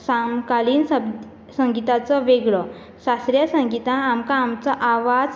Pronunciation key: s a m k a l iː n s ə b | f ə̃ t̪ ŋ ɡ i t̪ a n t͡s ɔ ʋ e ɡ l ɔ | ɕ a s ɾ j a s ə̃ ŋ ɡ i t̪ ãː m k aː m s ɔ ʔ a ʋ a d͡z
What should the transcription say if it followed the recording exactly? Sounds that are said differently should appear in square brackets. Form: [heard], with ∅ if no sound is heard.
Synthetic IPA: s a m k a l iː n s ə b | [s] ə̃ [∅] ŋ ɡ i t̪ a [∅] t͡s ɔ ʋ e ɡ [ɭ] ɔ | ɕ a s ɾ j a s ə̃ ŋ ɡ i t̪ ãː m k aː m [t͡s] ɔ ʔ a ʋ a d͡z